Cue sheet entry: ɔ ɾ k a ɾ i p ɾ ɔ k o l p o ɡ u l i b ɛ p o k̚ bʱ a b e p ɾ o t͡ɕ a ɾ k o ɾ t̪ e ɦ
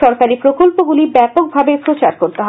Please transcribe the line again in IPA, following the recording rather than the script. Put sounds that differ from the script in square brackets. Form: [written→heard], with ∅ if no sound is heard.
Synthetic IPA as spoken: ɔ ɾ k a ɾ i p ɾ [ɔ→o] k o l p o ɡ u l i b ɛ p o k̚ bʱ a b e p ɾ o t͡ɕ a ɾ k o ɾ t̪ e ɦ